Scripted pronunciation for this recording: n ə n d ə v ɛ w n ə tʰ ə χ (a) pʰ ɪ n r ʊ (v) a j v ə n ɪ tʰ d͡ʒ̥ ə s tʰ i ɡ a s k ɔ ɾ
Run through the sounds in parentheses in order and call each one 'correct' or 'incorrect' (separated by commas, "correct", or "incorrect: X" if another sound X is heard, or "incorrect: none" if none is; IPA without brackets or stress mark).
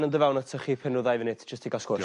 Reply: incorrect: i, incorrect: ð